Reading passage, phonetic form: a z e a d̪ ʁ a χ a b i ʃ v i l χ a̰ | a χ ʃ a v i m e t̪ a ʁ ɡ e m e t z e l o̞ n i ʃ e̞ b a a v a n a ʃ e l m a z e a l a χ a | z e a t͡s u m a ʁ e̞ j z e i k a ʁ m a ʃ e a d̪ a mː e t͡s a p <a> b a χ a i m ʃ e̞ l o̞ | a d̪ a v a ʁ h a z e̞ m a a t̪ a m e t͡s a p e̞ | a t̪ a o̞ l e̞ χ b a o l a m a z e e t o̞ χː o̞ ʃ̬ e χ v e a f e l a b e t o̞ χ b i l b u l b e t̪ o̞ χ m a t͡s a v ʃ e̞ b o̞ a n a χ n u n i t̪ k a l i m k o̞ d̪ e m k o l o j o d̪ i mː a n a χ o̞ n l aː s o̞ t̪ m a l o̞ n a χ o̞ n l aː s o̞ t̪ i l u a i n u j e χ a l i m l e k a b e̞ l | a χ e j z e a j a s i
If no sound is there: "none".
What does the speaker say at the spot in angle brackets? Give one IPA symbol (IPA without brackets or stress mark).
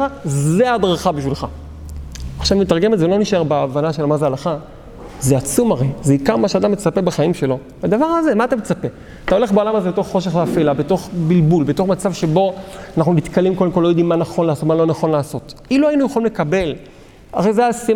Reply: e